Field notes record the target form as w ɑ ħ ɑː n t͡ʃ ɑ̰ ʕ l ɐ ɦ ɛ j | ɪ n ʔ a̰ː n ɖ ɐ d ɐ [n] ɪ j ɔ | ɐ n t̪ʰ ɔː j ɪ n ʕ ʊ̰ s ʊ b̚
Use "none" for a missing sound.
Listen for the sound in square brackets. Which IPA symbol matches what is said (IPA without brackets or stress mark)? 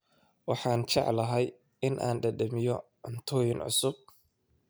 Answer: m